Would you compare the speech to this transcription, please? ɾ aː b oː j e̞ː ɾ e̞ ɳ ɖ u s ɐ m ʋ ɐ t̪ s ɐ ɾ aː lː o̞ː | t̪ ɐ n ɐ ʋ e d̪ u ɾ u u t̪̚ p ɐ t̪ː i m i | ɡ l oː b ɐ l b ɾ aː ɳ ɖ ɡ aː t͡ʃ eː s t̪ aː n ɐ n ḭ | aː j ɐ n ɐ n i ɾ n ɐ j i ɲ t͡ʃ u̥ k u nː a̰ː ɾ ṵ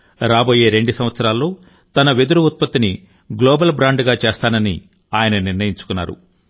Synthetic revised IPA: ɾ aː b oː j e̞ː ɾ e̞ ɳ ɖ u s ɐ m ʋ ɐ t̪ s ɐ ɾ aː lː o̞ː | t̪ ɐ n ɐ ʋ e d̪ u ɾ u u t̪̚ p ɐ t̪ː i n i | ɡ l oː b ɐ l b ɾ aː ɳ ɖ ɡ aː t͡ʃ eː s t̪ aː n ɐ n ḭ | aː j ɐ n ɐ n i ɾ n ɐ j i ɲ t͡ʃ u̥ k u nː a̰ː ɾ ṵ